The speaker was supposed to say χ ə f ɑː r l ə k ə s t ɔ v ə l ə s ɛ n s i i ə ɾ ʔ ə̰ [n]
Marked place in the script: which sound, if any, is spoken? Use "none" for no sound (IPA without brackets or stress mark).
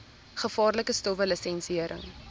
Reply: ŋ